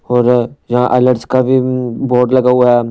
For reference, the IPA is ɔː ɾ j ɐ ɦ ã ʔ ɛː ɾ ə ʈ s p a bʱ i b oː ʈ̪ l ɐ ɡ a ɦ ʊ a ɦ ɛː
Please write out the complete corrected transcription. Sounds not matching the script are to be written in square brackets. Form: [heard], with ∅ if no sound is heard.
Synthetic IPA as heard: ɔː ɾ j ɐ ɦ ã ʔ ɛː [l] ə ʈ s [k] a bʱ i b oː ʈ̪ l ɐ ɡ a ɦ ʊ a ɦ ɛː